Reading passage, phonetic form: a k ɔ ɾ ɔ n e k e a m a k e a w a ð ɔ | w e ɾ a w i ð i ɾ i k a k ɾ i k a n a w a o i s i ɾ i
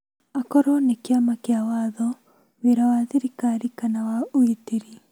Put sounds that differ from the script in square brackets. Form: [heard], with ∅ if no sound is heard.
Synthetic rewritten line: a k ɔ ɾ ɔ n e k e a m a k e a w a ð ɔ | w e ɾ a w [a] ð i ɾ i k a [∅] ɾ i k a n a w a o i [t] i ɾ i

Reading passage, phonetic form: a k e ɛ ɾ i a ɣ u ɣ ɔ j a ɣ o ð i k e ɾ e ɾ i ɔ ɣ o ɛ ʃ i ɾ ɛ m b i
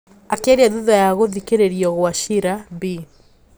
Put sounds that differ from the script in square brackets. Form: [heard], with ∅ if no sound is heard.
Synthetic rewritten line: a k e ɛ ɾ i a [ð] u [ð] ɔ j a ɣ o ð i k e ɾ e ɾ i ɔ ɣ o [a] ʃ i ɾ [a] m b i

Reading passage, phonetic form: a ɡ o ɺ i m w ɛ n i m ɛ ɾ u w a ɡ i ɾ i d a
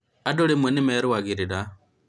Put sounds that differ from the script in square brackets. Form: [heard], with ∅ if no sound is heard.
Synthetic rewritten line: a [d] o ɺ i m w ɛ n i m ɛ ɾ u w a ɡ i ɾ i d a

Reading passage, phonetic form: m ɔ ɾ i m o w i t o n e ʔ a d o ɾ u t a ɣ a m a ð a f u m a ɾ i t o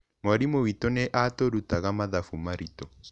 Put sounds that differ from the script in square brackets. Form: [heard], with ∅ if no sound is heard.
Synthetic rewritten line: m ɔ ɾ i m o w i t o n e ʔ a [t] o ɾ u t a ɣ a m a ð a f u m a ɾ i t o

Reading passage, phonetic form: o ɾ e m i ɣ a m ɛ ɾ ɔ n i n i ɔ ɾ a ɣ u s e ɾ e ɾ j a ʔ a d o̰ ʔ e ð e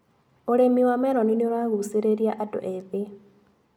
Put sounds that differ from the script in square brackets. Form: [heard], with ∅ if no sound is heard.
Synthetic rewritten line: o ɾ e m i [w] a m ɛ ɾ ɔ n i n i [o] ɾ a ɣ u s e ɾ e ɾ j a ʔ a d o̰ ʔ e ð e

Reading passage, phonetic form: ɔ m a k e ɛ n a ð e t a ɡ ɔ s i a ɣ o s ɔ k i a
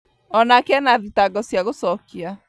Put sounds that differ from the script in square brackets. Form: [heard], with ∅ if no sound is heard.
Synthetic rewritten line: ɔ [n] a k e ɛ n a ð [i] t a ɡ ɔ s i a ɣ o s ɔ k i a

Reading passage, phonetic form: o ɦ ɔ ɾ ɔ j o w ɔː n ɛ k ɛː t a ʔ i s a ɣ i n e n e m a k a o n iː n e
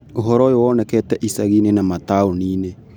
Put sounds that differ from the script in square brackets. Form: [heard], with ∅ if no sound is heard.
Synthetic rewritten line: o ɦ ɔ ɾ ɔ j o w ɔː n ɛ k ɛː t [ɛ] ʔ i s a ɣ i n e n [a] m a [t] a o n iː n e

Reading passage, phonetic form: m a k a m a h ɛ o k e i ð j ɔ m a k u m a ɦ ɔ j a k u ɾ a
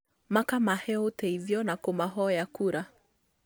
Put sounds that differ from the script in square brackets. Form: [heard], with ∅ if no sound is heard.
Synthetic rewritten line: m a k a m a h ɛ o [t] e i ð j ɔ [n] a k [o] m a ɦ ɔ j a k u ɾ a

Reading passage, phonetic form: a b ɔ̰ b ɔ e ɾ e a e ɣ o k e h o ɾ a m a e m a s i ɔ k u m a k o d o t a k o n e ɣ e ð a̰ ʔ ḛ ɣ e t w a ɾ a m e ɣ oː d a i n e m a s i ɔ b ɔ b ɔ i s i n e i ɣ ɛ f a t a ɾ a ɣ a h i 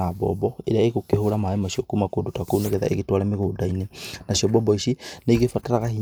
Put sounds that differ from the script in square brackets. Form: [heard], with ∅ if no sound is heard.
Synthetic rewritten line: a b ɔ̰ b ɔ e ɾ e a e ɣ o k e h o ɾ a m a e m a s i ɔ k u m a k o d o t a k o n e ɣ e ð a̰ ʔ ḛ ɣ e t w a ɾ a m e ɣ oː d a i n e [n] a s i ɔ b ɔ b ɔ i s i n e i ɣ [e] f a t a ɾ a ɣ a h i

